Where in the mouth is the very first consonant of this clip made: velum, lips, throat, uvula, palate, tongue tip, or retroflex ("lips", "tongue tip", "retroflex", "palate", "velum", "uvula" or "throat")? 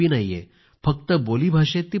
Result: tongue tip